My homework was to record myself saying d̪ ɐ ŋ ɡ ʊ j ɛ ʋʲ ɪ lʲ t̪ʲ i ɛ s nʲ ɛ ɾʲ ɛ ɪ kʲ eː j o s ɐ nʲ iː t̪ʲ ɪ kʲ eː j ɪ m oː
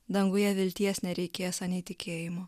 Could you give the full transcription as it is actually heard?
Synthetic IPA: d̪ ɐ ŋ ɡ ʊ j ɛ ʋʲ ɪ lʲ t̪ʲ i ɛ s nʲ ɛ ɾʲ ɛ ɪ kʲ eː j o s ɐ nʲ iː t̪ʲ ɪ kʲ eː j ɪ m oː